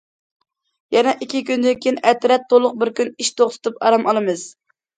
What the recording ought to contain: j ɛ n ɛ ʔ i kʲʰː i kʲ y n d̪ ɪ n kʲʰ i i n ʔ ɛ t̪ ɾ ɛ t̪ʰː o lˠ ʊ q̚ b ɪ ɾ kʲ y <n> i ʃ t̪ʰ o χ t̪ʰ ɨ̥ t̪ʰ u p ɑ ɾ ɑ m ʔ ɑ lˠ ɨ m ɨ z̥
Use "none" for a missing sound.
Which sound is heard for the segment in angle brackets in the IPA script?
n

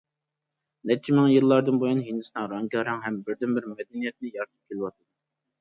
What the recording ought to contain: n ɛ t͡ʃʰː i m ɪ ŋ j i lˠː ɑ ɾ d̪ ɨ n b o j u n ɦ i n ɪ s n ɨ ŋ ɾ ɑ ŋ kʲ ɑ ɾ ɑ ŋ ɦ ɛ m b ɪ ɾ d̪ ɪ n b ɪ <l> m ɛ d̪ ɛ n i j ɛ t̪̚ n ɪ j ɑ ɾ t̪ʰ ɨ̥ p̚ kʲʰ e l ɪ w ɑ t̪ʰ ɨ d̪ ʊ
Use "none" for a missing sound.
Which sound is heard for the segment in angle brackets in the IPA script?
ɾ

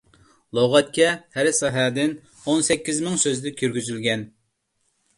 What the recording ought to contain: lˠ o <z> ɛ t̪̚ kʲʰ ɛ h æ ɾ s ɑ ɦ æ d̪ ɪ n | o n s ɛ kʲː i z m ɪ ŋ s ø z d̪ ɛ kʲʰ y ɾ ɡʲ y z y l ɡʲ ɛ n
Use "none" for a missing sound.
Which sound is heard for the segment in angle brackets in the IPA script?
ʁ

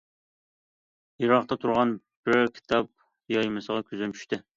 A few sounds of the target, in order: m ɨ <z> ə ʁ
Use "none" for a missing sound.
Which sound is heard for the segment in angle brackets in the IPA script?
s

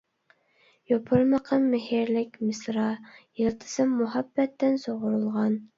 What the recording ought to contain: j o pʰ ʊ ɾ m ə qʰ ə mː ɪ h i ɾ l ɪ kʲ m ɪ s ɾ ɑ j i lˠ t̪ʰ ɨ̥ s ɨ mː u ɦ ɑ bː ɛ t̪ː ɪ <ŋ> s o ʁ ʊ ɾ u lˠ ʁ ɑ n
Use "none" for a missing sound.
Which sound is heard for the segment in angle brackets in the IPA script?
n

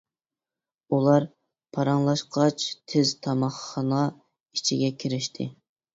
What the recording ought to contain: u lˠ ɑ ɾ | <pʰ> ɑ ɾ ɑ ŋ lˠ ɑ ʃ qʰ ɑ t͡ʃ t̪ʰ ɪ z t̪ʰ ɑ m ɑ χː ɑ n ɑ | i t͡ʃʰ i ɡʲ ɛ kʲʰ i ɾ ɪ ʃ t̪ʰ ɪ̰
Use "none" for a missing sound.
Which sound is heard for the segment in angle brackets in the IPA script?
pʰ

